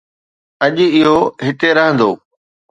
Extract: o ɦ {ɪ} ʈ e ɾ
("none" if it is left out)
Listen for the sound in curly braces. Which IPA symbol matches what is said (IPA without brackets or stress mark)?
ɪ